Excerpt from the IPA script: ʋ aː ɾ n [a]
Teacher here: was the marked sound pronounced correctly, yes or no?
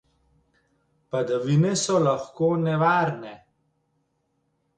no